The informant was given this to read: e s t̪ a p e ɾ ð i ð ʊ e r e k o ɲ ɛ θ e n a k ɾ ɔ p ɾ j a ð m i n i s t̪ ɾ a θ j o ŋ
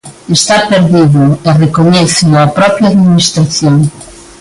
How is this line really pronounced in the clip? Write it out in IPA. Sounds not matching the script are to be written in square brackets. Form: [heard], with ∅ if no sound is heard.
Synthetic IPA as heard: e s t̪ a p e ɾ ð i ð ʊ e r e k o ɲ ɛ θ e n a [p] ɾ ɔ p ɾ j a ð m i n i s t̪ ɾ a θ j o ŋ